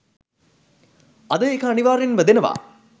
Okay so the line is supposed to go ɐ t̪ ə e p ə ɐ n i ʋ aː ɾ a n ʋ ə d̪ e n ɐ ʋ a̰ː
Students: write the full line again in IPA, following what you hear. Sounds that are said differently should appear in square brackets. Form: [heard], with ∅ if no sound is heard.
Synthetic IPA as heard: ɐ [d̪] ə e [k] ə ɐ n i ʋ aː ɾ [e] n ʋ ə d̪ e n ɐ ʋ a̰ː

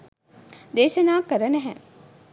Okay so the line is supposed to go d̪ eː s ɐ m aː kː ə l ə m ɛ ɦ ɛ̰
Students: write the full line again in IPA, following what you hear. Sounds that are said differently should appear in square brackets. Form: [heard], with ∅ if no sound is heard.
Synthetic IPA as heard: d̪ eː [ʃ] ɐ [n] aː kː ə [ɾ] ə [n] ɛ ɦ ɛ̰

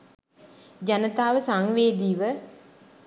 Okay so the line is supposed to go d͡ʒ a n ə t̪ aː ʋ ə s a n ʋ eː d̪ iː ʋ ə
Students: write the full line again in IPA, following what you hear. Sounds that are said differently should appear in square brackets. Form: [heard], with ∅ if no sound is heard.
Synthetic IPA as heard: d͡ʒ a n ə t̪ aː ʋ ə s a [ŋ] ʋ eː d̪ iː ʋ ə

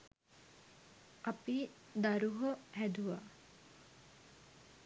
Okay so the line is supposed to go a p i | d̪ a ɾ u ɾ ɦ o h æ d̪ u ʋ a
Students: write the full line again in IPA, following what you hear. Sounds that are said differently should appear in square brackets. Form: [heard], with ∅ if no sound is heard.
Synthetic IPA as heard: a p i | d̪ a ɾ u [∅] ɦ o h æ d̪ u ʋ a

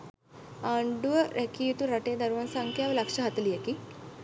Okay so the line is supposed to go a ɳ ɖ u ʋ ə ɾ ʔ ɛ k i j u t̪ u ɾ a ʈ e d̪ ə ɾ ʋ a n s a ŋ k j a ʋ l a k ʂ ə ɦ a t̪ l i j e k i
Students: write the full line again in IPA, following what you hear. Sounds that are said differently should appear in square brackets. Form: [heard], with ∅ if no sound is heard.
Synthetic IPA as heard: a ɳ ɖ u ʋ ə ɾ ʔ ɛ k i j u t̪ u ɾ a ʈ e d̪ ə ɾ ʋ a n s a ŋ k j a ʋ l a k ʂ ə ɦ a t̪ l i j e k i

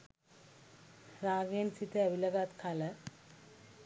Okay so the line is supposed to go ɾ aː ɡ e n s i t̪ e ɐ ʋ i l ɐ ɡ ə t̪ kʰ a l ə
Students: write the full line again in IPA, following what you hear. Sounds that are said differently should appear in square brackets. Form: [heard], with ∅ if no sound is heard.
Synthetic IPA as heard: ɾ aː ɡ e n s i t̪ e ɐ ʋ i l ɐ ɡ [a] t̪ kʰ a l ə

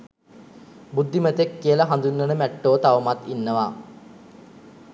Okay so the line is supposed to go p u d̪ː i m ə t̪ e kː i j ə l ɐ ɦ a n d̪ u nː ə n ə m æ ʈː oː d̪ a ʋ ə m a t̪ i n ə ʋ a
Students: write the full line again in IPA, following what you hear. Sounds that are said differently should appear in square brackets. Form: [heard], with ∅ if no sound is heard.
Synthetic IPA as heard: [b] u d̪ː i m ə t̪ e kː i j ə l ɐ ɦ a n d̪ u nː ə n ə m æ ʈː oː [t̪] a ʋ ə m a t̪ i [nː] ə ʋ a

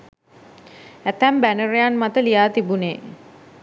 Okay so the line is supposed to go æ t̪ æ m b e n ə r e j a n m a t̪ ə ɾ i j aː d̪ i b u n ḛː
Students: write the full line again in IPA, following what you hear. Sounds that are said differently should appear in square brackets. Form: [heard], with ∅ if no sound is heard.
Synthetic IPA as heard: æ t̪ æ m b [æ] n ə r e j a n m a t̪ ə [l] i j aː [t̪] i b u n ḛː

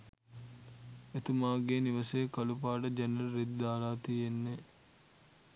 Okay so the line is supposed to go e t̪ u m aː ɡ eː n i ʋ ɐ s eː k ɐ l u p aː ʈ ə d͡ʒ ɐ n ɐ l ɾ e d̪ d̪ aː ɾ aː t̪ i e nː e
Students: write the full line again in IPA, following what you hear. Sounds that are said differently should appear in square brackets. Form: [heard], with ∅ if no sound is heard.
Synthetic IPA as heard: e t̪ u m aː ɡ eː n i ʋ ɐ s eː k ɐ l u p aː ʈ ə d͡ʒ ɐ n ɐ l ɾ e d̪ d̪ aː ɾ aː t̪ i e nː e

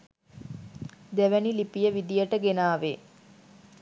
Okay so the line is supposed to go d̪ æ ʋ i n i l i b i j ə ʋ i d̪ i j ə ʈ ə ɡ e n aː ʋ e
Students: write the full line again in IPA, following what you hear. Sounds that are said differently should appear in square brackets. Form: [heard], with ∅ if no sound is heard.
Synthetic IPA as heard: d̪ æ ʋ [æ] n i l i [p] i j ə ʋ i d̪ i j ə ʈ ə ɡ e n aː ʋ e

